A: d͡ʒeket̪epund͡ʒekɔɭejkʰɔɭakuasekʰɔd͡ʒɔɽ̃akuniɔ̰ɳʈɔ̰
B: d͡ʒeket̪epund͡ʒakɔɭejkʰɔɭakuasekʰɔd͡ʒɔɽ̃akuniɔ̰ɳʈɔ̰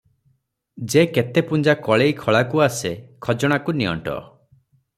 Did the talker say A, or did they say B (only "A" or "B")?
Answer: B